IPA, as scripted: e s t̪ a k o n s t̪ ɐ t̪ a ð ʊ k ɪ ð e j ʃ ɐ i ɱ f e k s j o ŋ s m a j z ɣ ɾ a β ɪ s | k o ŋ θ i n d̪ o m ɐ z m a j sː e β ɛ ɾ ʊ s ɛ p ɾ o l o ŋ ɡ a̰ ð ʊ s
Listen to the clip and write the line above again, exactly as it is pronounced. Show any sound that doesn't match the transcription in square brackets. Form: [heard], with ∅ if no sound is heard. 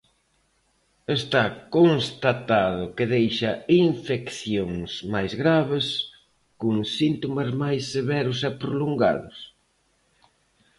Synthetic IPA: e s t̪ a k o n s t̪ [a] t̪ a ð ʊ k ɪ ð e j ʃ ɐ i ɱ f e k [θ] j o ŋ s m a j z ɣ ɾ a β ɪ s | k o ŋ [s] i n [t̪] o m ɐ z m a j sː e β ɛ ɾ ʊ s ɛ p ɾ o l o ŋ ɡ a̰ ð ʊ s